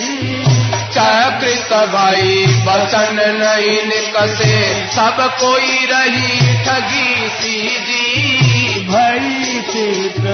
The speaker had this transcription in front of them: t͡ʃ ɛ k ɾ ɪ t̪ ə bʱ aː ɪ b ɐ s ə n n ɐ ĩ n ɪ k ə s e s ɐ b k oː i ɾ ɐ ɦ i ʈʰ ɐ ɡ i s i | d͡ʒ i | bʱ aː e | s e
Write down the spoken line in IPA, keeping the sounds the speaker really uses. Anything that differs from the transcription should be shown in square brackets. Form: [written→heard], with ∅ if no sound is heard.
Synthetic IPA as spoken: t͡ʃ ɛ k ɾ ɪ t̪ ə bʱ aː [ɪ→i] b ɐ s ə n n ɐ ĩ n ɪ k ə s e s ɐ b k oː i ɾ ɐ ɦ i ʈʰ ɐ ɡ i s i | d͡ʒ i | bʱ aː [e→i] | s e